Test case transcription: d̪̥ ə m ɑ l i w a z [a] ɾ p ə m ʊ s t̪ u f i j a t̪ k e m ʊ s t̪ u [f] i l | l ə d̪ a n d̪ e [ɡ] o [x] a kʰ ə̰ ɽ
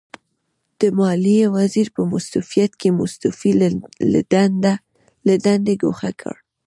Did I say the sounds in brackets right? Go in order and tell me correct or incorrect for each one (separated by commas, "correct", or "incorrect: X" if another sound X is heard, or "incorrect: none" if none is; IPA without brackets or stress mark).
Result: incorrect: i, correct, correct, correct